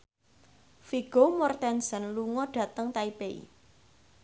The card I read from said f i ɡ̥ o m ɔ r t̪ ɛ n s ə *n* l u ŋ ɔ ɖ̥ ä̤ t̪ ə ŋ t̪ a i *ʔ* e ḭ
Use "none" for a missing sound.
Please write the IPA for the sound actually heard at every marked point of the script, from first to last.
n, p

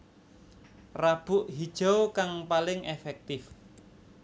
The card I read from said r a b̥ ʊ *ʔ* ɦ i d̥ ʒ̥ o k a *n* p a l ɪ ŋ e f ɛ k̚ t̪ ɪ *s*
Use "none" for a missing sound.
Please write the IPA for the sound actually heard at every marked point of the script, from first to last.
ʔ, ŋ, f

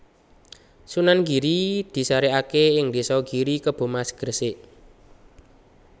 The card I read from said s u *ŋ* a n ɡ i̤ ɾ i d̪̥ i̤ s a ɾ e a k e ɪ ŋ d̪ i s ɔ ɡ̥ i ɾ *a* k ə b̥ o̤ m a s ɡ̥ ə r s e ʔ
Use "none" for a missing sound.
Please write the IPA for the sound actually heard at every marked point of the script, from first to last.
n, i

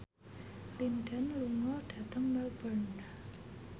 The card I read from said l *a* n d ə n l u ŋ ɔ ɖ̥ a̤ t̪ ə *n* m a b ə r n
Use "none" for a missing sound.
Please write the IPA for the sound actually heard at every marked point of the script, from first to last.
i, ŋ

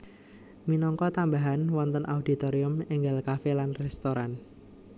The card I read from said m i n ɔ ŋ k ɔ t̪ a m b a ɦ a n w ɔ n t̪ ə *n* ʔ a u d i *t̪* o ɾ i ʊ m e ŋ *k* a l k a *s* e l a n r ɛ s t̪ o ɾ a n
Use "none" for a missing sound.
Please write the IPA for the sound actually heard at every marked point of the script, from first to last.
n, t̪, ɡ, f

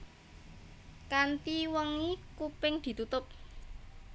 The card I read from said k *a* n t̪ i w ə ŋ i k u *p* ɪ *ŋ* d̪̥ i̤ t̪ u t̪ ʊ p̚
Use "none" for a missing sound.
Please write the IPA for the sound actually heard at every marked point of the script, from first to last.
a, p, ŋ

